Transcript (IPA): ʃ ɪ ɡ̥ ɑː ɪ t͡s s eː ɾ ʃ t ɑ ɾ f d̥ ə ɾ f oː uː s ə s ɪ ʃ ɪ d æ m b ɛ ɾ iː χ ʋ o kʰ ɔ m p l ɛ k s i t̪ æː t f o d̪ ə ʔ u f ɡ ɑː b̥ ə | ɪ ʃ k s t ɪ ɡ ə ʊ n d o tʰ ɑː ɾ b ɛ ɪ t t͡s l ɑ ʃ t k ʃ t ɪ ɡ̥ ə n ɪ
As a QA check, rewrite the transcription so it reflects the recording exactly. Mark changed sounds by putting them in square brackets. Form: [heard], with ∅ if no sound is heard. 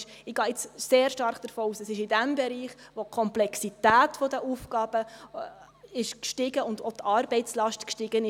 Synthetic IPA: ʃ ɪ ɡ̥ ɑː ɪ t͡s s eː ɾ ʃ t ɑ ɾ [χ] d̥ ə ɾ f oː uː s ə s ɪ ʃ ɪ d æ m b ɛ ɾ iː χ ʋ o kʰ ɔ m p l ɛ k s i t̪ æː t f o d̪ ə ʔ u f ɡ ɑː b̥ ə | ɪ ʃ k [ʃ] t ɪ ɡ ə ʊ n d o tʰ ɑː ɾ b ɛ ɪ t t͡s l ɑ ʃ t k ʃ t ɪ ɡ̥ ə n ɪ

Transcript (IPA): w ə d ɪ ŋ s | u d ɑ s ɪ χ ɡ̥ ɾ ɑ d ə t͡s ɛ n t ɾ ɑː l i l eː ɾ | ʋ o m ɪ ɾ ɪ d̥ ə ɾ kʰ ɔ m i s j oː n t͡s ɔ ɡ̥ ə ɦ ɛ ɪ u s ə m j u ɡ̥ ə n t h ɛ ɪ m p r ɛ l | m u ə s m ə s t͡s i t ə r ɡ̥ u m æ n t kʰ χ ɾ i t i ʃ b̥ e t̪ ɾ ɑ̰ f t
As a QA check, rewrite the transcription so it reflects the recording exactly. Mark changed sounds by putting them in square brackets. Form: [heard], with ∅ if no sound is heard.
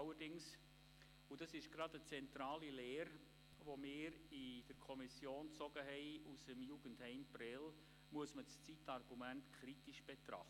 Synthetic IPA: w ə d ɪ ŋ s | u d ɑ s ɪ [ʃ] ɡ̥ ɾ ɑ d ə t͡s ɛ n t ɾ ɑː l i l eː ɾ | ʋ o m [ɪː] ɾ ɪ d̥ ə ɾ kʰ ɔ m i s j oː n t͡s ɔ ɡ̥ ə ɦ ɛ ɪ u s ə m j u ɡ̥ ə n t h ɛ ɪ m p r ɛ l | m u ə s m ə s t͡s i t [ɑ] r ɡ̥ u m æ n t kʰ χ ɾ i t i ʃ b̥ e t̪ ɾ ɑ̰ [χ] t

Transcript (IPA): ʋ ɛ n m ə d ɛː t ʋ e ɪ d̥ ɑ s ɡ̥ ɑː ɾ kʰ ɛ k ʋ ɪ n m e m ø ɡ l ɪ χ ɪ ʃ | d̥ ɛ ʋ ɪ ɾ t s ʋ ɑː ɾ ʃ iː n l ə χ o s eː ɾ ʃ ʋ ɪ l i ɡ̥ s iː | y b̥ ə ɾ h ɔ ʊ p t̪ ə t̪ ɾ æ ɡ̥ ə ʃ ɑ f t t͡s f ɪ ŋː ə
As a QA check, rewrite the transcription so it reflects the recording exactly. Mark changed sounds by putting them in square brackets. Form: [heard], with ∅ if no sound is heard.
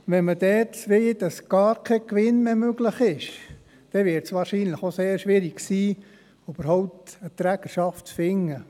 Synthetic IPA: ʋ ɛ n m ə d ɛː t ʋ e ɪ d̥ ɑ s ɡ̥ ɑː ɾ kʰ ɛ k ʋ ɪ n m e m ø ɡ l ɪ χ ɪ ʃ | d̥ ɛ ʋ ɪ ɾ t s ʋ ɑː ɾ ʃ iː n l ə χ o s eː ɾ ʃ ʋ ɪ [ɾ] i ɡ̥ s iː | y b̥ ə ɾ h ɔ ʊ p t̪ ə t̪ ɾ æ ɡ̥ ə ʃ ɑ f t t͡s f ɪ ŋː ə

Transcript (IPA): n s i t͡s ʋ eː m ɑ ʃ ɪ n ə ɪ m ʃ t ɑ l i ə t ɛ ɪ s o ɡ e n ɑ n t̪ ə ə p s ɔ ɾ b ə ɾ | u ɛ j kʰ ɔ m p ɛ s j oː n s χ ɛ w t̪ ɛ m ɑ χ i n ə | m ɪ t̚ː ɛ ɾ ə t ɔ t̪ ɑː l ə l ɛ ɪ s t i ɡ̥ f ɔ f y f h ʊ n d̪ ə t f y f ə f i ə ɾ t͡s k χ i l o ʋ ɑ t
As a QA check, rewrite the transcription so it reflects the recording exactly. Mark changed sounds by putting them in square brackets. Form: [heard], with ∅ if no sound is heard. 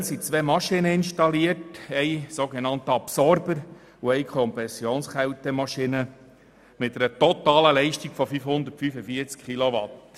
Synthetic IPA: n s i t͡s ʋ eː m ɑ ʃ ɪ n ə ɪ [n] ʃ t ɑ l i ə t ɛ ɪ s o ɡ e n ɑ n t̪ ə [ɑ] p s ɔ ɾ b ə ɾ | u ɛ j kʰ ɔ m p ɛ s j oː n s χ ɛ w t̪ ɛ m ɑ [ʃ] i n ə | m ɪ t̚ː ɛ ɾ ə t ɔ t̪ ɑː l ə l ɛ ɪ [ʃ] t i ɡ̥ f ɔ f y f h ʊ n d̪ ə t f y f ə f i ə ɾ t͡s k χ i l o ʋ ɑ t

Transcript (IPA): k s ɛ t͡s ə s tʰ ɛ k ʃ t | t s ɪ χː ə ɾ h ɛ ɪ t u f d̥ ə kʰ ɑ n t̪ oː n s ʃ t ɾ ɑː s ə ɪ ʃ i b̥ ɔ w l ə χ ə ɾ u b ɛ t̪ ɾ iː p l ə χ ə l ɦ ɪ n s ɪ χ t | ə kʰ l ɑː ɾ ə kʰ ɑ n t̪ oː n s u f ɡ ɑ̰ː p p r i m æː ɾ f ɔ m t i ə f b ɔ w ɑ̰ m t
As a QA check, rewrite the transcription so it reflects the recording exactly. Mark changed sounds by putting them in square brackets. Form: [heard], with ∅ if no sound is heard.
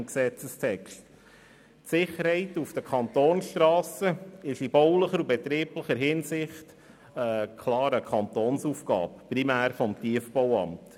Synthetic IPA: k s ɛ t͡s ə s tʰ ɛ k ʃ t | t s ɪ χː ə ɾ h ɛ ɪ t u f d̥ ə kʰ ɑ n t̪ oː n s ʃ t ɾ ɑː s ə ɪ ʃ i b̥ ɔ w l ə χ ə ɾ u b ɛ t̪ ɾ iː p l ə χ ə [ɾ] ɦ ɪ n s ɪ χ t | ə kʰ l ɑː ɾ ə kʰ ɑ n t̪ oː n s u f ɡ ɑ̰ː p p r i m æː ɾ f ɔ m t i ə f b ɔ w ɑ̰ m t

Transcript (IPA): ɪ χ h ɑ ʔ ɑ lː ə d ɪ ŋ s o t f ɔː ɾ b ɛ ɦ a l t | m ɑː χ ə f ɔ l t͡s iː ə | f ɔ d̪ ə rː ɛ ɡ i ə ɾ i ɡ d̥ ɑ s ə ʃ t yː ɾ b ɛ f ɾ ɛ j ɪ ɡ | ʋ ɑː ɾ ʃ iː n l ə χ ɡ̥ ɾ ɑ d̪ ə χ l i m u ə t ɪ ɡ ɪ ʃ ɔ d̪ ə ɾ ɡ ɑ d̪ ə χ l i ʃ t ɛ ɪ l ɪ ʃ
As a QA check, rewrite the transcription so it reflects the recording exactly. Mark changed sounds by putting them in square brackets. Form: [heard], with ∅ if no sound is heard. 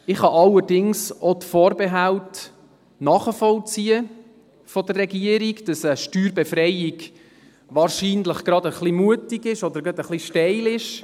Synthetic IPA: ɪ χ h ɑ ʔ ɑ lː ə d ɪ ŋ s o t f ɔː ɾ b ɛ ɦ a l t | [n] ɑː χ ə f ɔ l t͡s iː ə | f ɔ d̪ ə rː ɛ ɡ i ə ɾ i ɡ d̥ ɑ s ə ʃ t yː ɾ b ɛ f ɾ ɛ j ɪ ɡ | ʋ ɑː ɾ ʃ iː n l ə χ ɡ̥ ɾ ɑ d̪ ə χ l i m u ə t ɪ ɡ ɪ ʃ ɔ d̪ ə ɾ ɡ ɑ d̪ ə χ l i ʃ t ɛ ɪ l ɪ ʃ

